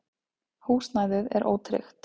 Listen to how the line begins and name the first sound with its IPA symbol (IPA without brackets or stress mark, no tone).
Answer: h